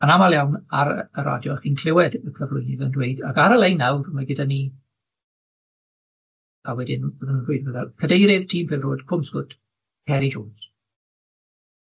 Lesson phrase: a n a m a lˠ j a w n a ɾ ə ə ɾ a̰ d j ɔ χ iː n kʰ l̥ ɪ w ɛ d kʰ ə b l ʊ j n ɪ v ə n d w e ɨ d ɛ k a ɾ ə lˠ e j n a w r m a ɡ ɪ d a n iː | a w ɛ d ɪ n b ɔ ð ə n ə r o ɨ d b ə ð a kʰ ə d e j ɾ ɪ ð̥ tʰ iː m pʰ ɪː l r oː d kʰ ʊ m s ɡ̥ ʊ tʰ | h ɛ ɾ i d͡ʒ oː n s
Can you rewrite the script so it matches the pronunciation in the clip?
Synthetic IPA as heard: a n a m a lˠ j a w n a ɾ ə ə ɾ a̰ d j ɔ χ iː n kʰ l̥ ɪ w ɛ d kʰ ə v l ʊ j n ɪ ð ə n d w e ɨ d a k a ɾ ə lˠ e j n a w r m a ɡ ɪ d a n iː | a w ɛ d ɪ n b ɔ ð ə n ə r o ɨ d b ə ð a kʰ ə d e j ɾ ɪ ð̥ tʰ iː m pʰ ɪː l r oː d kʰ ʊ m s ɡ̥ ʊ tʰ | h ɛ ɾ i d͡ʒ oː n s